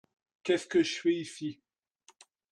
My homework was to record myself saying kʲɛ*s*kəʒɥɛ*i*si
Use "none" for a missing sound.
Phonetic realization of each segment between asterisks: s, i

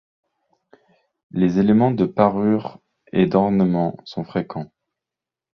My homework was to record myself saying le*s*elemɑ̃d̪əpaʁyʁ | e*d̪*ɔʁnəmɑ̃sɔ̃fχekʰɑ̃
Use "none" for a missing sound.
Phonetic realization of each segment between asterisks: z, d̪

